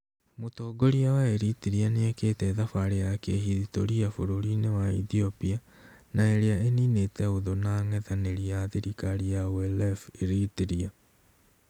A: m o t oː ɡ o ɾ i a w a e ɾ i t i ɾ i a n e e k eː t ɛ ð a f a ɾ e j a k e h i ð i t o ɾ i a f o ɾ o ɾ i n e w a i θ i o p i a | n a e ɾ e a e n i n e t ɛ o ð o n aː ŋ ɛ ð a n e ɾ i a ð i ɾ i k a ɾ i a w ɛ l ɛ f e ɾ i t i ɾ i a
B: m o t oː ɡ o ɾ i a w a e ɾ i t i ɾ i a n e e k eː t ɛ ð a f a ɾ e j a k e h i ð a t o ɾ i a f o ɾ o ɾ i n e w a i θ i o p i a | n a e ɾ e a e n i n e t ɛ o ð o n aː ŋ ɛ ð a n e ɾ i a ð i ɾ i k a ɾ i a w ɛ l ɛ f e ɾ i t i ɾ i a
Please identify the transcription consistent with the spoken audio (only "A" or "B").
A